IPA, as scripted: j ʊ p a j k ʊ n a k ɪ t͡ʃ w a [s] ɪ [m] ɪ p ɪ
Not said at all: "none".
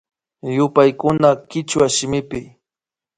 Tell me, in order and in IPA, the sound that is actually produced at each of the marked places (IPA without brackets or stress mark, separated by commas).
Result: ʃ, m